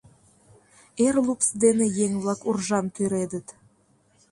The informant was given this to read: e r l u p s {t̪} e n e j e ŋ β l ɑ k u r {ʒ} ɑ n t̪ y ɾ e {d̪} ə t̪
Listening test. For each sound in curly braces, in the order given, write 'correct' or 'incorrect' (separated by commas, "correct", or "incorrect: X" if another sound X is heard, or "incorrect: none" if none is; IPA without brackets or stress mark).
incorrect: d̪, correct, correct